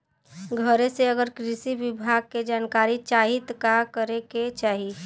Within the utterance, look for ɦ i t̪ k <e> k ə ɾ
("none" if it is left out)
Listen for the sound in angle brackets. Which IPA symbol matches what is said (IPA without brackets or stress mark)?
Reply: a